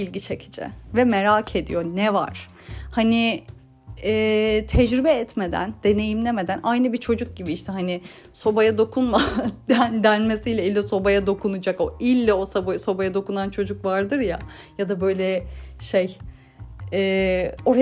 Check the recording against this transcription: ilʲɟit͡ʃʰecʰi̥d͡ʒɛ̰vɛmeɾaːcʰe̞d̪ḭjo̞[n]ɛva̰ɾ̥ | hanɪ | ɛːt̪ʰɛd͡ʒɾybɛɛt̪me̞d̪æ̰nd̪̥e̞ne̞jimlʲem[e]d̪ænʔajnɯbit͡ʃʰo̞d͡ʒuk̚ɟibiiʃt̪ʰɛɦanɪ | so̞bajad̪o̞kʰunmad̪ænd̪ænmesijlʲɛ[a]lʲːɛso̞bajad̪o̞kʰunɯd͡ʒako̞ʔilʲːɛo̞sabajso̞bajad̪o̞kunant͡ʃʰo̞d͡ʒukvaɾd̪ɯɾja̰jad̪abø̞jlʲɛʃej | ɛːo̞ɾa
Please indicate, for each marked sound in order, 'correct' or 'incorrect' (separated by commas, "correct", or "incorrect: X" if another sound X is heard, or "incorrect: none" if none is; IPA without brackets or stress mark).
correct, correct, incorrect: i